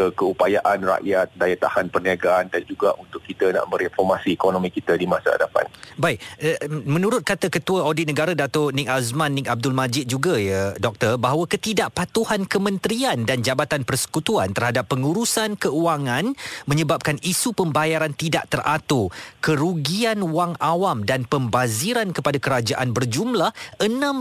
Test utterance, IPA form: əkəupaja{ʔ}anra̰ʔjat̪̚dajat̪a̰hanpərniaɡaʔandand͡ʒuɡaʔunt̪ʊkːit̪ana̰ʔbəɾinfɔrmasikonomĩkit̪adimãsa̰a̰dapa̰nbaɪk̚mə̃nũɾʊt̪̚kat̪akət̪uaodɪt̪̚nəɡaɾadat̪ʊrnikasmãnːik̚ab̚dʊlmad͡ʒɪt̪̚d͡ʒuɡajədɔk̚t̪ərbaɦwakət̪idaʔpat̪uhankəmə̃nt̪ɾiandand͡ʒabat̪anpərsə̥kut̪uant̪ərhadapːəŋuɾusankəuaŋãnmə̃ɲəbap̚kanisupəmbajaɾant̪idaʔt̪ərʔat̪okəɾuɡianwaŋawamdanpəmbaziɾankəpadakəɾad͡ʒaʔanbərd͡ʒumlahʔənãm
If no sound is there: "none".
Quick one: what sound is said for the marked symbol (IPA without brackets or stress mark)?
ʔ